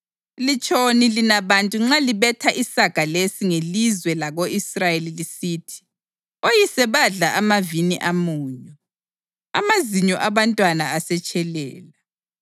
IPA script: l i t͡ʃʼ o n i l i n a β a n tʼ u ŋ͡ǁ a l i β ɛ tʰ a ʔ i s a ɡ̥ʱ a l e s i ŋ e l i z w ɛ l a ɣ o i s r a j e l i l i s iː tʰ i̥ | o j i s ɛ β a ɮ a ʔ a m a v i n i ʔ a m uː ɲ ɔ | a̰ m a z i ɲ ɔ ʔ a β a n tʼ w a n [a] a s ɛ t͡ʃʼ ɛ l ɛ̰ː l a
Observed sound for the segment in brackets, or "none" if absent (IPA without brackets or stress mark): a